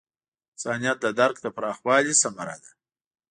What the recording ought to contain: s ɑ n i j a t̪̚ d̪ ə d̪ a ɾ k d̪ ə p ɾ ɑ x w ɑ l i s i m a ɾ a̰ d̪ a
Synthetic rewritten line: s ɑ n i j a t̪̚ d̪ ə d̪ a ɾ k d̪ ə p ɾ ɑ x w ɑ l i s a m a ɾ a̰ d̪ a